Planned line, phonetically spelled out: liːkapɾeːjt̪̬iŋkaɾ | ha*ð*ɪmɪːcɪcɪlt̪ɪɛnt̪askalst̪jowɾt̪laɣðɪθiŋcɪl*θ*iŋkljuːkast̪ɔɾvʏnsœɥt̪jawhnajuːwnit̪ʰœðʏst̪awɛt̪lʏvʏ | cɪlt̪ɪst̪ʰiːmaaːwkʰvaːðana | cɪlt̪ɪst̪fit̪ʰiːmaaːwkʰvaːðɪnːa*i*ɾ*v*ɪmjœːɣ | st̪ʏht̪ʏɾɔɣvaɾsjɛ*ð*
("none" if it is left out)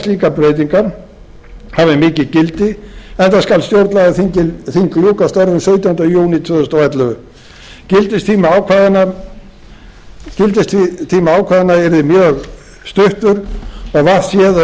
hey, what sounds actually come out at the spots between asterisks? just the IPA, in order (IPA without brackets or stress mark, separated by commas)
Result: v, θ, ɛ, ð, ð